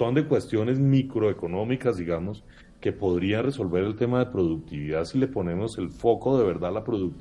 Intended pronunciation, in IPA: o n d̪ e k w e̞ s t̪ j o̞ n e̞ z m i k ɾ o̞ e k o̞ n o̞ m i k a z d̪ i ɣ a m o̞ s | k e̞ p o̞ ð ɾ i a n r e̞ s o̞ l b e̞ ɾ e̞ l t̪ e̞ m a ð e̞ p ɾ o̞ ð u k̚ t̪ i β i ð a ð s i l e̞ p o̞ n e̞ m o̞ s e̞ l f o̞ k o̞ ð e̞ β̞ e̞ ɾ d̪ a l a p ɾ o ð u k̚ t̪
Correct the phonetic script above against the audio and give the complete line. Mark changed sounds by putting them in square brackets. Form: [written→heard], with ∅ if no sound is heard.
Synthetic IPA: o n d̪ e k w e̞ s t̪ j o̞ n e̞ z m i k ɾ o̞ e k o̞ n o̞ m i k a z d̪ i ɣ a m o̞ s | k e̞ p o̞ ð ɾ i a n r e̞ s o̞ l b e̞ ɾ e̞ l t̪ e̞ m a ð e̞ p ɾ o̞ ð u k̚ t̪ i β i ð a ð s i l e̞ p o̞ n e̞ m o̞ s e̞ l f o̞ k o̞ ð e̞ β̞ e̞ ɾ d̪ a l a p ɾ o ð u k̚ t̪